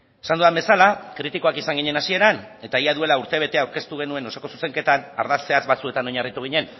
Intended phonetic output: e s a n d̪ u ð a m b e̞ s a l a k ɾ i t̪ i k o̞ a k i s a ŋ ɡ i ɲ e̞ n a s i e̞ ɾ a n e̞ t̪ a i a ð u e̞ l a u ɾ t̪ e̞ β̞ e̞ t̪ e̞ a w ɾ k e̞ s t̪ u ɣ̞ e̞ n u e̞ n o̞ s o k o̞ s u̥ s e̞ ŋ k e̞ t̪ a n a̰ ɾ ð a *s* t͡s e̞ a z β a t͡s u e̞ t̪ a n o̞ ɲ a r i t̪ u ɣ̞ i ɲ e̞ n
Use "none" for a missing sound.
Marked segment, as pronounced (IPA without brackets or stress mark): s